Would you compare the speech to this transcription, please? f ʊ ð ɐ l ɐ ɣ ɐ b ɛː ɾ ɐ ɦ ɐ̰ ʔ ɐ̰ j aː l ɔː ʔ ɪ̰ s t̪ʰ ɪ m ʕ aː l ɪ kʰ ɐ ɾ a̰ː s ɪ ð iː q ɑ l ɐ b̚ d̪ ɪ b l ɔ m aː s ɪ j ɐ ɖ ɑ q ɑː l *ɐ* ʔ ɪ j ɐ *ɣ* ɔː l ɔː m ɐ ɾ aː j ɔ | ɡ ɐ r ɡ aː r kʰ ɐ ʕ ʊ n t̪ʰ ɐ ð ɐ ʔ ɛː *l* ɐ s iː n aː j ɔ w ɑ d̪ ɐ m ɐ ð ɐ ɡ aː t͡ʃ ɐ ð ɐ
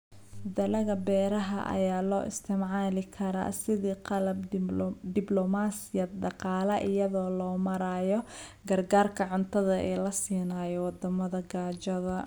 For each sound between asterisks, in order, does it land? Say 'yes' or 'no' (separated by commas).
yes, no, yes